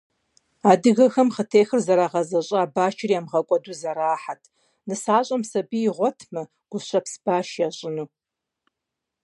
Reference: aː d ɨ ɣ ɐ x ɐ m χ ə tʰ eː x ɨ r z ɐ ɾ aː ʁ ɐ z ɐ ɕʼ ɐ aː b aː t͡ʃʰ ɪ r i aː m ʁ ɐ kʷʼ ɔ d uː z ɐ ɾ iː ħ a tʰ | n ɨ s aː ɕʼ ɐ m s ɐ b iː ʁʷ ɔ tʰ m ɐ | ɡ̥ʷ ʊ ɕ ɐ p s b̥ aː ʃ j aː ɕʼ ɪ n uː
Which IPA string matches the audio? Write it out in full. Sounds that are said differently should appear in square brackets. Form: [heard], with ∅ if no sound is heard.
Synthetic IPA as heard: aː d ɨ ɣ ɐ x ɐ m χ ə tʰ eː x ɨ r z ɐ ɾ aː ʁ ɐ z ɐ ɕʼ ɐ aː b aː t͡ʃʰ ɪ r i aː m ʁ ɐ kʷʼ ɔ d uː z ɐ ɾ [aː] ħ a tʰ | n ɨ s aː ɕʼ ɐ m s ɐ b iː ʁʷ ɔ tʰ m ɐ | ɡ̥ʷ ʊ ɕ ɐ p s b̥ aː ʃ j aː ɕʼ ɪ n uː